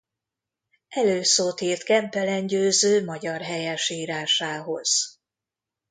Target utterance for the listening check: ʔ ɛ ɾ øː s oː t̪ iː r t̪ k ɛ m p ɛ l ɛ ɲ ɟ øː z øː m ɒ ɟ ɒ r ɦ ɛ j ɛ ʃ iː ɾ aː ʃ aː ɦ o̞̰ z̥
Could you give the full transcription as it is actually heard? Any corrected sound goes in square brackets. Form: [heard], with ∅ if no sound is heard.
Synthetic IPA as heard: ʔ ɛ [l] øː s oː t̪ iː r t̪ k ɛ m p ɛ l ɛ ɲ ɟ øː z øː m ɒ ɟ ɒ r ɦ ɛ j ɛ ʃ iː ɾ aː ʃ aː ɦ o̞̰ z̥